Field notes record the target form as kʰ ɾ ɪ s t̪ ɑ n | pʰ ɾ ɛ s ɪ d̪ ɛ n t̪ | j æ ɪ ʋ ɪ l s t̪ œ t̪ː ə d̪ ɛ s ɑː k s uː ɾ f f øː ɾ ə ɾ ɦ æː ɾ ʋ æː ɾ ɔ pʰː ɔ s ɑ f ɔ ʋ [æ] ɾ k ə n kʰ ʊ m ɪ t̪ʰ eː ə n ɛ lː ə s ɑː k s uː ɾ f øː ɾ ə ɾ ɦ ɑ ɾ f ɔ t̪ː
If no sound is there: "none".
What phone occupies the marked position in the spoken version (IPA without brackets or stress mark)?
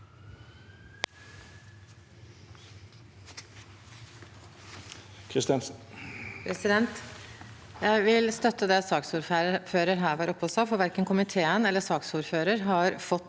æ